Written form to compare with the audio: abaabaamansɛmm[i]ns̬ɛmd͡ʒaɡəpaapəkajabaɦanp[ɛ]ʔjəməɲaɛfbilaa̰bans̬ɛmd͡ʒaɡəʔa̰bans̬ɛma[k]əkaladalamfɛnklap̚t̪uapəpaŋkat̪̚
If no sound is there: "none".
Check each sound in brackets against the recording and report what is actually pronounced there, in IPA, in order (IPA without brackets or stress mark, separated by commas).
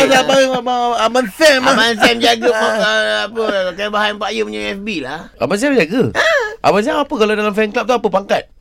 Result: a, a, p